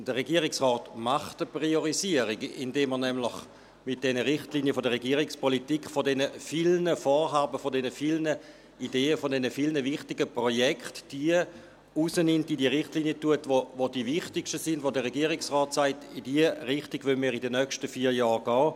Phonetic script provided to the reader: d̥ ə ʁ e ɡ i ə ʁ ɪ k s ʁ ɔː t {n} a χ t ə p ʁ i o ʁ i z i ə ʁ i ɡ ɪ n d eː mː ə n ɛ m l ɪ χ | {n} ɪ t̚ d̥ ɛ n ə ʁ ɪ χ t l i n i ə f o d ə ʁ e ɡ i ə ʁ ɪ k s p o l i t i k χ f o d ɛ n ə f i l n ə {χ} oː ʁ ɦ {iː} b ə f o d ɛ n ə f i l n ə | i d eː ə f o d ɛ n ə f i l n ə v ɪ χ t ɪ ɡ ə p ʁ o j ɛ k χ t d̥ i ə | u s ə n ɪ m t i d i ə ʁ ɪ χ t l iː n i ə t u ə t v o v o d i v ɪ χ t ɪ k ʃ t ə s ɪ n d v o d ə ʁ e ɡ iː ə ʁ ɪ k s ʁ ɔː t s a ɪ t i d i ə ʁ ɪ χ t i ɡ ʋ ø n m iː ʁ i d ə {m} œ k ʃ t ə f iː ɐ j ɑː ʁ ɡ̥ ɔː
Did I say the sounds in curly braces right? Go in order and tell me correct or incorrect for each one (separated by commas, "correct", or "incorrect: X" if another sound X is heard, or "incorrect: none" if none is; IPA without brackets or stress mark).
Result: incorrect: m, incorrect: m, incorrect: f, incorrect: aː, incorrect: n